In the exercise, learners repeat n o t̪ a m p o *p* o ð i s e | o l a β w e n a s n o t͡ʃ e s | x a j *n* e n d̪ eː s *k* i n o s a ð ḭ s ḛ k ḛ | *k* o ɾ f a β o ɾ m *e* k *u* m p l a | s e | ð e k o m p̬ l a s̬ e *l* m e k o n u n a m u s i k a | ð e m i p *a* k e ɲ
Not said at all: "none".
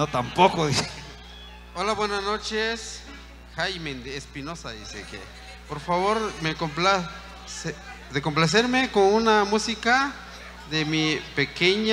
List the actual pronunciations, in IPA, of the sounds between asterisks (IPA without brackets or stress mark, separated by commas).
k, m, p, p, e, o, ɾ, e